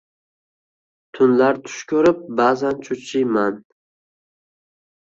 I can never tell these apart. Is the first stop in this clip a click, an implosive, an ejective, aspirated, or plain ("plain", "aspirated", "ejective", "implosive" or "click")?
aspirated